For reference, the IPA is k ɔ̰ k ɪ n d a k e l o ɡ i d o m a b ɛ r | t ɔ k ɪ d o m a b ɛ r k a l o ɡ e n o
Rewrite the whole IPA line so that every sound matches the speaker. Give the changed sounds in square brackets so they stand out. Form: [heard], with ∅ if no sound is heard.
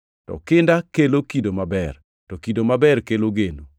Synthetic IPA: [t] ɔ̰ k ɪ n d a k e l o [k] i d o m a b ɛ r | t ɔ k [i] d o m a b ɛ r k [e] l o ɡ e n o